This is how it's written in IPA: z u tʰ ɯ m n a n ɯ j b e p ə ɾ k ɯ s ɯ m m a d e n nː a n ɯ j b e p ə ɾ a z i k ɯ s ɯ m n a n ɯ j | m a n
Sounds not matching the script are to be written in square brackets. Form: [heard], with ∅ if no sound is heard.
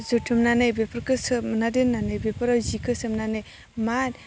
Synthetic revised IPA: z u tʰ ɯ m n a n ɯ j b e p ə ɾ k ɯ s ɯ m [n] a d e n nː a n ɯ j b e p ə ɾ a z i k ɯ s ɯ m n a n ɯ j | m a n